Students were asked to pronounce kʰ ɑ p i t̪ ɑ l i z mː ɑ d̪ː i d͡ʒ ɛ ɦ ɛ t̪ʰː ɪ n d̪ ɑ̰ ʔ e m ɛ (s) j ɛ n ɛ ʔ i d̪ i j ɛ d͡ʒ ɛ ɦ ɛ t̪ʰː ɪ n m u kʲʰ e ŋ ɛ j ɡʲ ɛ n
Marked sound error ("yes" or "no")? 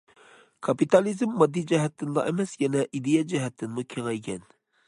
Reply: no